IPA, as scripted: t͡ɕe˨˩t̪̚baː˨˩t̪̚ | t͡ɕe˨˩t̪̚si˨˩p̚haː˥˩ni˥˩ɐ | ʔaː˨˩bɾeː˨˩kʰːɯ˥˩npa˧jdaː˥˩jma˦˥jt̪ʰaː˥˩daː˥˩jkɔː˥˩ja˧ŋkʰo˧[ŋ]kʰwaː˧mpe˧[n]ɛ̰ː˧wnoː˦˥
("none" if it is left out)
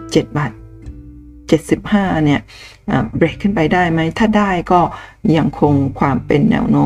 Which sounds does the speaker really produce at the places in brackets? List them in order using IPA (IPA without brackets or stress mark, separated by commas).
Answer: ŋ, nː